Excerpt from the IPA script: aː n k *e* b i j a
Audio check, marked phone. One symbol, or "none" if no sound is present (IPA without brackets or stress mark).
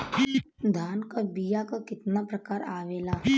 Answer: a